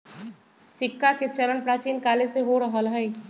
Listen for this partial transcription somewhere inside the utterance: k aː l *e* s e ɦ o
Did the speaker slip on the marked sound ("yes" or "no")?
no